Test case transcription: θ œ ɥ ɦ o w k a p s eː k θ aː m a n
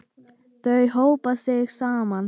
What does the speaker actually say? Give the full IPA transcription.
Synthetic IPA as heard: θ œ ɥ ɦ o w p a s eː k s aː m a n

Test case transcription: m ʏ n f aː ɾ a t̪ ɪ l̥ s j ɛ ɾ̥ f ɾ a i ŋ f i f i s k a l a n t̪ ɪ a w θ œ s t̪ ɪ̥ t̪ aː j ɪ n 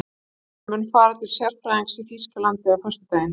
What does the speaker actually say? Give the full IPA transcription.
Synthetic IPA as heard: m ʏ n f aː ɾ a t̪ ɪ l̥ s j ɛ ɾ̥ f ɾ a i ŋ s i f i s k a l a n t̪ ɪ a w f œ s t̪ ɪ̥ t̪ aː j ɪ n

